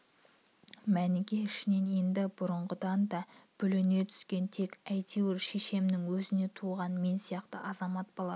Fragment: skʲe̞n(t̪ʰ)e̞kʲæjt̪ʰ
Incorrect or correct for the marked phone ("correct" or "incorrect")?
correct